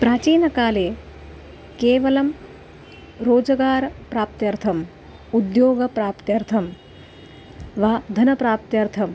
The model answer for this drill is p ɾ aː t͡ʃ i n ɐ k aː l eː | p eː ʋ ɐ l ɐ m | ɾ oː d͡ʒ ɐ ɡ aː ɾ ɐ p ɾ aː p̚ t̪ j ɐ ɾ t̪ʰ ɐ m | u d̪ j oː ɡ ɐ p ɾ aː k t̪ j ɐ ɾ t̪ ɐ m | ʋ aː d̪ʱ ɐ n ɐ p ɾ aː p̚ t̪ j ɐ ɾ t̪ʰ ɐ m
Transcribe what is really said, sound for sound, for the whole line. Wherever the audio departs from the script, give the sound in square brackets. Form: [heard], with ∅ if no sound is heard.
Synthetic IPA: p ɾ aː t͡ʃ [iː] n ɐ k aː l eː | [k] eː ʋ ɐ l ɐ m | ɾ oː d͡ʒ ɐ ɡ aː ɾ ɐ p ɾ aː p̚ t̪ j ɐ ɾ t̪ʰ ɐ m | u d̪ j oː ɡ ɐ p ɾ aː [p] t̪ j ɐ ɾ [t̪ʰ] ɐ m | ʋ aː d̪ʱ ɐ n ɐ p ɾ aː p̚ t̪ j ɐ ɾ t̪ʰ ɐ m